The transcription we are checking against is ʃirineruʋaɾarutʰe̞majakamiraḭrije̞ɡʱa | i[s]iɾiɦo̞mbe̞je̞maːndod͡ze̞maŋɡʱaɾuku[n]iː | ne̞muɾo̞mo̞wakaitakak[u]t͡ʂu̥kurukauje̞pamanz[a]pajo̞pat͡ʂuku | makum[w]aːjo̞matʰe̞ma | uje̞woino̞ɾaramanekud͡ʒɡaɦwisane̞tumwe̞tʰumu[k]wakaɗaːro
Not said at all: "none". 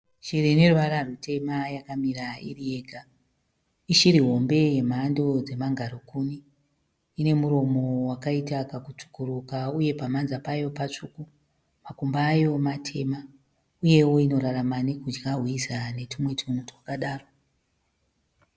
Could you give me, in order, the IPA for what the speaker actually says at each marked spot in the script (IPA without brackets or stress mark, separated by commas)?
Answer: ʃ, n, u, a, b, t